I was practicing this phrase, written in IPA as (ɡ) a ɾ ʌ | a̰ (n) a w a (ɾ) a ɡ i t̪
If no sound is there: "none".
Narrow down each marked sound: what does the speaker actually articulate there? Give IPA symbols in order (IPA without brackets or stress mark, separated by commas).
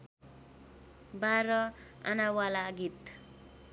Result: b, n, l